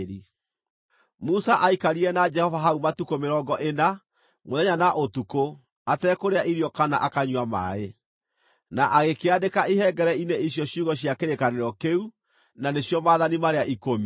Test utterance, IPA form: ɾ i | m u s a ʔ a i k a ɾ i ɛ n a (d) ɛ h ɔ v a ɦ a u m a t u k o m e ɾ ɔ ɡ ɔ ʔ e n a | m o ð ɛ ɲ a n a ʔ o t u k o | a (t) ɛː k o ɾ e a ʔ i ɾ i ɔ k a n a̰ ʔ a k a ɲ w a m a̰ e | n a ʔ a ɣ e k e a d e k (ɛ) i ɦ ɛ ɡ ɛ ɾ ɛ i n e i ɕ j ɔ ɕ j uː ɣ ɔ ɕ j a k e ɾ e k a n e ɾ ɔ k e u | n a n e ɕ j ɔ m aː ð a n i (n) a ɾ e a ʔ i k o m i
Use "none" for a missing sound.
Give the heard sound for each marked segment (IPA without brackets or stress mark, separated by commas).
d͡ʒ, t, a, m